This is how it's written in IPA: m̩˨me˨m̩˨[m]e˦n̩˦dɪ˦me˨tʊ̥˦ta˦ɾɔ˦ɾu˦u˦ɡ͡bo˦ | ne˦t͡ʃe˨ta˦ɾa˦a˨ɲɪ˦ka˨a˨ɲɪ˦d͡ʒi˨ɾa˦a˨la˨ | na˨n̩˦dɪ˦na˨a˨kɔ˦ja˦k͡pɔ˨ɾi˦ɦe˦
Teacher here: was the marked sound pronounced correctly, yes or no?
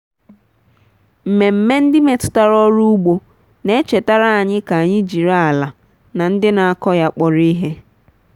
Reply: yes